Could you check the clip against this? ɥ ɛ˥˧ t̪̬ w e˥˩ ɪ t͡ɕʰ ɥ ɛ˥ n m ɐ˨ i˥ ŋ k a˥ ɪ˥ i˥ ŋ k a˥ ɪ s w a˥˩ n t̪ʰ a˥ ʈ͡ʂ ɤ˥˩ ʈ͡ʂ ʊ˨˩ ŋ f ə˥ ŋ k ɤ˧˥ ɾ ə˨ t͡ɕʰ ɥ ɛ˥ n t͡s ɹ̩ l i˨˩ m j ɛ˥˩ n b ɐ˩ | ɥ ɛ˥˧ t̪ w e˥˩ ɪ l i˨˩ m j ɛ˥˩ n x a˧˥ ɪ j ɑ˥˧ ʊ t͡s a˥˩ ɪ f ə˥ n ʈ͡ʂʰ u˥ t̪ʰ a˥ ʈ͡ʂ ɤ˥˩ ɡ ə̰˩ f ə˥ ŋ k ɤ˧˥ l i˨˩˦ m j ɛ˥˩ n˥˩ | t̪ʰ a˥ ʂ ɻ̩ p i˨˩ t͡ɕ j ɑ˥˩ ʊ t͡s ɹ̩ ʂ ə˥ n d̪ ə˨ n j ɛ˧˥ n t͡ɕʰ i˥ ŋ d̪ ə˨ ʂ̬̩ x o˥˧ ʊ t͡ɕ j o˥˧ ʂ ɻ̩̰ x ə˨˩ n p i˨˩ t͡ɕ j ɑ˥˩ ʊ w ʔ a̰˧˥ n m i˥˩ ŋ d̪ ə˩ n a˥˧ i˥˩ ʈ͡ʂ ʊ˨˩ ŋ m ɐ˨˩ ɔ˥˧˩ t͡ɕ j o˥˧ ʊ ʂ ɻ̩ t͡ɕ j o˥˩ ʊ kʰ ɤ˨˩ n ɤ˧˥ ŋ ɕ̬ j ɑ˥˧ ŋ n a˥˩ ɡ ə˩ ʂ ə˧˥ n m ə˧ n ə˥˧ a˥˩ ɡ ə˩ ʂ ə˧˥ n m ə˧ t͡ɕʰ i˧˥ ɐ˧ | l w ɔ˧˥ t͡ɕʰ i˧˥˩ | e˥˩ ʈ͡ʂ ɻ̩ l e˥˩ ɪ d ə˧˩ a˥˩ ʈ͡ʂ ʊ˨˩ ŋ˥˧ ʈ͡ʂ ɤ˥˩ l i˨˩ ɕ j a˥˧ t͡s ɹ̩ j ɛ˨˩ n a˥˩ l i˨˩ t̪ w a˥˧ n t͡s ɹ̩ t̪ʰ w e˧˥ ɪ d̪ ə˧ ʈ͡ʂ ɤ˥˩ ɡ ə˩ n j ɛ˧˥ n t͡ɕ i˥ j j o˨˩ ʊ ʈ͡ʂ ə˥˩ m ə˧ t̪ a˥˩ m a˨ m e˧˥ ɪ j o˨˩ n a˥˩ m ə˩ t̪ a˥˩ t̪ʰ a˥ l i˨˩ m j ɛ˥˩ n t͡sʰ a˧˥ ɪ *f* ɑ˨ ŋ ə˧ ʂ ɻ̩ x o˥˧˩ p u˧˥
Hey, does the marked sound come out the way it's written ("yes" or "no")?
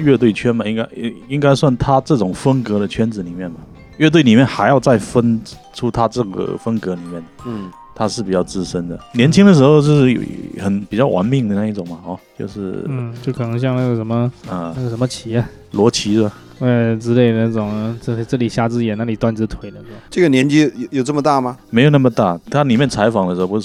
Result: yes